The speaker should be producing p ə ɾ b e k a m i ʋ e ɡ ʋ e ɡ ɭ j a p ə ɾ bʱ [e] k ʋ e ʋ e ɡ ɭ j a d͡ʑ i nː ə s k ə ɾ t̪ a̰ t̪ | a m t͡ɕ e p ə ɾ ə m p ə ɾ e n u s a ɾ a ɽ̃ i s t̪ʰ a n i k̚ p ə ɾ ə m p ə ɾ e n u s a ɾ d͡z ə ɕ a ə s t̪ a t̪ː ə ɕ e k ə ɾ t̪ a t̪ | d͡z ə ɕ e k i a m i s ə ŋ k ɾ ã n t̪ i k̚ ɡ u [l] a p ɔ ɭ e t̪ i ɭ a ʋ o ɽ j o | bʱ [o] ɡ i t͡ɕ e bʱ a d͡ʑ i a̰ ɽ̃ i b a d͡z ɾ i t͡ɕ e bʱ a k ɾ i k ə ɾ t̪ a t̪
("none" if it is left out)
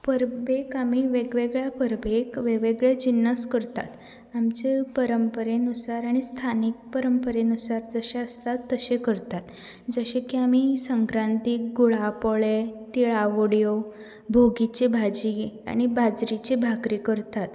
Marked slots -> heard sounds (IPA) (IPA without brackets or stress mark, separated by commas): e, ɭ, o